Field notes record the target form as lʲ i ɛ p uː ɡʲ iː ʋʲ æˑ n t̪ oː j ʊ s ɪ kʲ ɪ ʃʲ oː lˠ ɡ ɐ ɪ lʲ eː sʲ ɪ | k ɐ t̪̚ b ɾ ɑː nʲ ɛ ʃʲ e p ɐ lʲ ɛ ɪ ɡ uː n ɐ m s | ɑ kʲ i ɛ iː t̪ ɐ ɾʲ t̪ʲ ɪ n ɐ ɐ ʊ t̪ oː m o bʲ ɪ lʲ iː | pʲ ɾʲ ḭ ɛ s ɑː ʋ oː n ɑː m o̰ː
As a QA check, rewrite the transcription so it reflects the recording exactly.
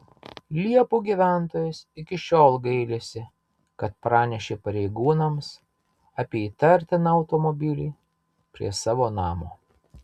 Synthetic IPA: lʲ i ɛ p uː ɡʲ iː ʋʲ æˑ n t̪ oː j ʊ s ɪ kʲ ɪ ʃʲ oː lˠ ɡ ɐ ɪ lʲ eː sʲ ɪ | k ɐ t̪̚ p ɾ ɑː nʲ ɛ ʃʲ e p ɐ ɾʲ ɛ ɪ ɡ uː n ɐ m s | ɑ pʲ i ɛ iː t̪ ɐ ɾʲ t̪ʲ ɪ n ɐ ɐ ʊ t̪ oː m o bʲ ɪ lʲ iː | pʲ ɾʲ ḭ ɛ s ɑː ʋ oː n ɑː m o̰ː